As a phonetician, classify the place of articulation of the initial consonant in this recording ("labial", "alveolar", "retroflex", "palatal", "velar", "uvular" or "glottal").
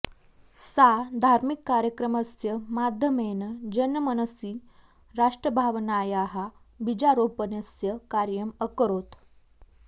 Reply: alveolar